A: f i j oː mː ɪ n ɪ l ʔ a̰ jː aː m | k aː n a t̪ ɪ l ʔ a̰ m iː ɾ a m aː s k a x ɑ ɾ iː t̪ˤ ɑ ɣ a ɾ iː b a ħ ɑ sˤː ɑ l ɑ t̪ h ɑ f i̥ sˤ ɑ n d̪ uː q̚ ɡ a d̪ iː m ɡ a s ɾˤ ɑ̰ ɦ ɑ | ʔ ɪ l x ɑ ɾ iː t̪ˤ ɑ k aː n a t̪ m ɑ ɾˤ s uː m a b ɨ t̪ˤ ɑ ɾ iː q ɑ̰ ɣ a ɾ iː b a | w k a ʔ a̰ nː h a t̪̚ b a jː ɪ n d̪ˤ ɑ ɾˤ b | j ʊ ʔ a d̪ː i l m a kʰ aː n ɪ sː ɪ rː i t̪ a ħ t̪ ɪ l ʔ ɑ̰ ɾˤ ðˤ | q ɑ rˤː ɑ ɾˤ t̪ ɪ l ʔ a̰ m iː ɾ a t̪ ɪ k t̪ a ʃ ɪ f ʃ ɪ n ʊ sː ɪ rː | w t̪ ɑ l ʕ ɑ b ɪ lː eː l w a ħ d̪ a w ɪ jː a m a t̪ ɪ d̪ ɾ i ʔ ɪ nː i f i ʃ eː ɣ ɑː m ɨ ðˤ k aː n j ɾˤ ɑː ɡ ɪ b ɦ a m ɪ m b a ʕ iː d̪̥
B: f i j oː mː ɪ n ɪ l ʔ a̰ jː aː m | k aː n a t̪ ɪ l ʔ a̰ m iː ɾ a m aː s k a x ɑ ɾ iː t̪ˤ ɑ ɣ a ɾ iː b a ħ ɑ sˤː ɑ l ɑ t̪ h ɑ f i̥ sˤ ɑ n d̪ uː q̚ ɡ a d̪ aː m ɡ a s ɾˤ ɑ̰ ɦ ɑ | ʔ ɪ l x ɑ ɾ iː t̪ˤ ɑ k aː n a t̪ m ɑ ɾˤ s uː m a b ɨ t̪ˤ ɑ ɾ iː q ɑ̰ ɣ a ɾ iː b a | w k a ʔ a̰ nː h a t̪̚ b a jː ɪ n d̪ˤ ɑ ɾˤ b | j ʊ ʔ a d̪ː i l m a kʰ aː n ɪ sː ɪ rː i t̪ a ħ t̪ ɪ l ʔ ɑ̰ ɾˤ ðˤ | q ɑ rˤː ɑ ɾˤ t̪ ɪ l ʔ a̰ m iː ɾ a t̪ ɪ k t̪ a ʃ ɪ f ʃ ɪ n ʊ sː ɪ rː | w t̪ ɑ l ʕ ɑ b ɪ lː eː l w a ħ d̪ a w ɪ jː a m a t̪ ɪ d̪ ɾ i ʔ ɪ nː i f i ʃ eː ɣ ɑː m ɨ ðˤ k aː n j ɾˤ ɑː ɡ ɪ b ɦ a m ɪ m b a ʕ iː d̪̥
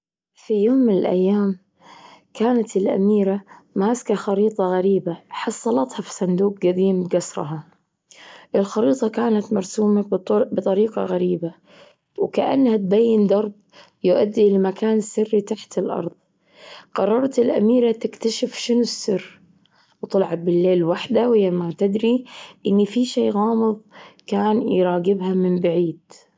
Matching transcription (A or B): A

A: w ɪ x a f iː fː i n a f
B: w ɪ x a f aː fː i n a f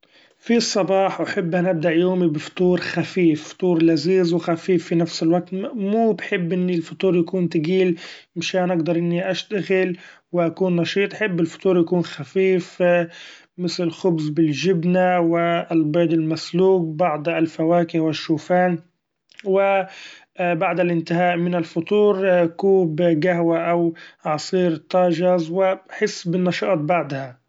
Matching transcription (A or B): A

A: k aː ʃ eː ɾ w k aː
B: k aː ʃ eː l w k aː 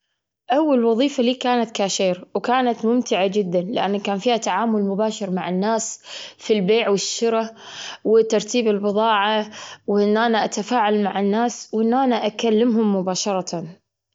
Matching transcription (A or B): A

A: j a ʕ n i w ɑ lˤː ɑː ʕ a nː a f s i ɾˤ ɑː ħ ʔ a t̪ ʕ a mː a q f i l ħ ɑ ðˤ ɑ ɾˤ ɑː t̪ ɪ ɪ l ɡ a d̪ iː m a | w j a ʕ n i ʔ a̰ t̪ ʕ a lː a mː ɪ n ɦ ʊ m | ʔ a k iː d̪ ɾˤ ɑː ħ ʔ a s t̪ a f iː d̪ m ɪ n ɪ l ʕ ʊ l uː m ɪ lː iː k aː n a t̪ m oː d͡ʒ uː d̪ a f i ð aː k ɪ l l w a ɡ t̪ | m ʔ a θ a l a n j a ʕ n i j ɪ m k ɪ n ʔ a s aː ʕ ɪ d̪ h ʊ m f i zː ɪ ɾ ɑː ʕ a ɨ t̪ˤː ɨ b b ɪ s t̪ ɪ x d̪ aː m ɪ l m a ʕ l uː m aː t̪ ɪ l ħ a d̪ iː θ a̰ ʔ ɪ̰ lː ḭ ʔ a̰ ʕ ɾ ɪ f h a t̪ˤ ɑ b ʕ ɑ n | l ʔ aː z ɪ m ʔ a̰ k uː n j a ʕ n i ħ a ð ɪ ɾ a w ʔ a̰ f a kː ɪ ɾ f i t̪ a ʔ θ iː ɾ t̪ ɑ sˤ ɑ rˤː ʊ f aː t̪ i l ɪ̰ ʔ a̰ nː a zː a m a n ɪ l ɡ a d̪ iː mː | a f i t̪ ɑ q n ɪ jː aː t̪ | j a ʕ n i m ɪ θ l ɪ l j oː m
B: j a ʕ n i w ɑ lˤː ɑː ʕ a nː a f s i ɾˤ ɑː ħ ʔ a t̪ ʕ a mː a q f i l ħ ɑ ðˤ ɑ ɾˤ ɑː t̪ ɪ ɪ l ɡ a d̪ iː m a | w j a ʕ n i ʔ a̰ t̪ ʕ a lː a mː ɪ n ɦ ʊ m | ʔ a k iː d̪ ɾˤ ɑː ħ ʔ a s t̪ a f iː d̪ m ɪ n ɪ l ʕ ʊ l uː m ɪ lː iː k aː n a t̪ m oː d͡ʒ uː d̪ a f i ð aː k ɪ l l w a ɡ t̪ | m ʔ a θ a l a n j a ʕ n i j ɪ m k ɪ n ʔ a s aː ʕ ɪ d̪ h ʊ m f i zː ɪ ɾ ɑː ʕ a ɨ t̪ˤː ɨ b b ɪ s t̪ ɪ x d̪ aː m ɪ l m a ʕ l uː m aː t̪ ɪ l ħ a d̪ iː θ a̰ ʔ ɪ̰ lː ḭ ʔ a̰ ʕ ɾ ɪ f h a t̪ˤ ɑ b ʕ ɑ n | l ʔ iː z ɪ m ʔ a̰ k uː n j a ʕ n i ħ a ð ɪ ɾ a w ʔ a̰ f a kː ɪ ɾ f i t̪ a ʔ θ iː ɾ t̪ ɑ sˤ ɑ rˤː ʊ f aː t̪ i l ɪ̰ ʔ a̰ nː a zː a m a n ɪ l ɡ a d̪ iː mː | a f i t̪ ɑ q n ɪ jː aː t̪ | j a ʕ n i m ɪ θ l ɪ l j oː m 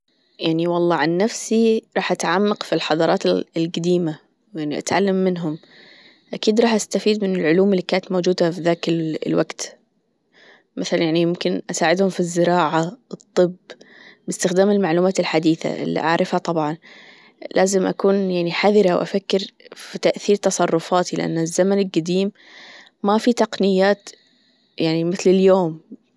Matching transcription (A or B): A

